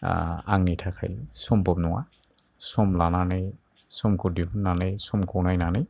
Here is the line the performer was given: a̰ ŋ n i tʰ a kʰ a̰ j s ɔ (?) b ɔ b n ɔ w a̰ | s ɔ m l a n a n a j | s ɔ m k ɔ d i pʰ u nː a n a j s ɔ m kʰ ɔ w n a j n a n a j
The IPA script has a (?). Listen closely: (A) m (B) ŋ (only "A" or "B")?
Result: A